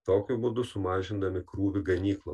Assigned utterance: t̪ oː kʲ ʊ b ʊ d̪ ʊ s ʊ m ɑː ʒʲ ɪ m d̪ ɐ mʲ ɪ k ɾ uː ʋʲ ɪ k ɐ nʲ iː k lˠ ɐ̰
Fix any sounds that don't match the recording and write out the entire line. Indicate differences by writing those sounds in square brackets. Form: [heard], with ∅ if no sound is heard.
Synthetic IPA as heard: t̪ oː kʲ ʊ b ʊ d̪ ʊ s ʊ m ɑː ʒʲ ɪ [n] d̪ ɐ mʲ ɪ k ɾ uː ʋʲ ɪ [ɡ] ɐ nʲ iː k lˠ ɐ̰